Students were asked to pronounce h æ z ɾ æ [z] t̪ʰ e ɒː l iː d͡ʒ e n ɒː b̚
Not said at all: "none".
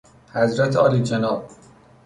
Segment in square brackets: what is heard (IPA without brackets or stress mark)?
none